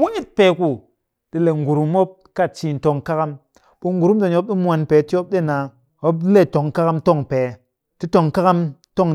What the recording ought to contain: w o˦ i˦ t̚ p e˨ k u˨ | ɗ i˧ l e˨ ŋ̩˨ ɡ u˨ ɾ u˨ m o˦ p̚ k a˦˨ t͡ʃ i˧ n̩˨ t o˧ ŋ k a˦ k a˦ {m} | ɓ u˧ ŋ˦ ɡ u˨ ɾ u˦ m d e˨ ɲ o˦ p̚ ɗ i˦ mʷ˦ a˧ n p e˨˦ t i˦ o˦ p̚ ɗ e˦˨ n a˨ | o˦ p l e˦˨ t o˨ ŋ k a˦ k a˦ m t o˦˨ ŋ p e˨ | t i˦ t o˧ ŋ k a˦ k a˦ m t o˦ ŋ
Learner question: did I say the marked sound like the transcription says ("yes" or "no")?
yes